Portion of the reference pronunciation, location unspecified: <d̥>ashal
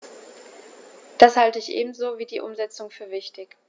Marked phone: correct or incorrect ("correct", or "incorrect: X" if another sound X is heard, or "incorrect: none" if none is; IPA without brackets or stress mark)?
correct